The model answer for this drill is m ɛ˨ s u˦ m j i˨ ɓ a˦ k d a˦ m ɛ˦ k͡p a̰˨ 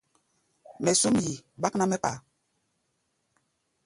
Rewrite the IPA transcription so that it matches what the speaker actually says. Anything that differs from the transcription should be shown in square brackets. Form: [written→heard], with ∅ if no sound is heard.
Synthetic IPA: m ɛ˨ s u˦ m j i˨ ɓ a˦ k [d→n] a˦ m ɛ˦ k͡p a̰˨